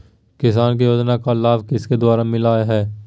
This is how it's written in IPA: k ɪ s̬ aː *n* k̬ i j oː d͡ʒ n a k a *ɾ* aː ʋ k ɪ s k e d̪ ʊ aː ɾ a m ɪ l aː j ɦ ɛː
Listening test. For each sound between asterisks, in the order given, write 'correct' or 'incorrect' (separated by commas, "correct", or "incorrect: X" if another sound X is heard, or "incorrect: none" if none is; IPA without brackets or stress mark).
correct, incorrect: l